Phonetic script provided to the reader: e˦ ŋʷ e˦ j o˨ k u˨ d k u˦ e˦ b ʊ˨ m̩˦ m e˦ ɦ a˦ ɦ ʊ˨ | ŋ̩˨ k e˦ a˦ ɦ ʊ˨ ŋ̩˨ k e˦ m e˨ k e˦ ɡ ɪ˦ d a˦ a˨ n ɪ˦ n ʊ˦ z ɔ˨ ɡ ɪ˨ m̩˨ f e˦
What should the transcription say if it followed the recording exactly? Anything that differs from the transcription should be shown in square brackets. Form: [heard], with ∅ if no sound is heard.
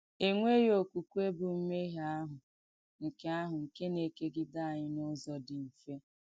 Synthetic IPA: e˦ ŋʷ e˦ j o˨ k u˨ [∅] k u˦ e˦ b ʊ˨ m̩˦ m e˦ ɦ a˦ ɦ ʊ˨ | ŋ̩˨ k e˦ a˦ ɦ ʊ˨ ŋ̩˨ k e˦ [n] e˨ k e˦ ɡ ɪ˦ d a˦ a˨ [ɲ] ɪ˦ n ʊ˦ z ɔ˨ [d] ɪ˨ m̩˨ f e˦